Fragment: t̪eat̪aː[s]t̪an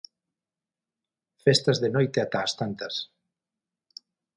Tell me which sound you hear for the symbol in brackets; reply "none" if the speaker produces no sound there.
s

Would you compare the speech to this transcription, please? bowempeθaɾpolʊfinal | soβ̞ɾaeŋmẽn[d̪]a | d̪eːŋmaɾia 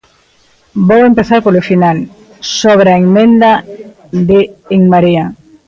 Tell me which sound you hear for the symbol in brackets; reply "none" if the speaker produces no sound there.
d̪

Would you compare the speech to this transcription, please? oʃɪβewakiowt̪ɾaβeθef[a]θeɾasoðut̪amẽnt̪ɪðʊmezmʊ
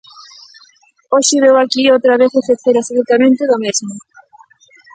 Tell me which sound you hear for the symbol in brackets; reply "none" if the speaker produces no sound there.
e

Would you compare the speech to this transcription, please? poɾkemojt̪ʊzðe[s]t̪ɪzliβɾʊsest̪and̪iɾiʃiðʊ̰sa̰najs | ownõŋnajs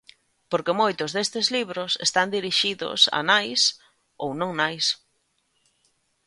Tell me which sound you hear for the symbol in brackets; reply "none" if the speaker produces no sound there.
s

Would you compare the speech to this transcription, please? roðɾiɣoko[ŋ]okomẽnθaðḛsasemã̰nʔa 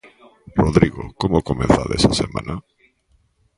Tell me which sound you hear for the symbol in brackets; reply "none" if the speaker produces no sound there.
m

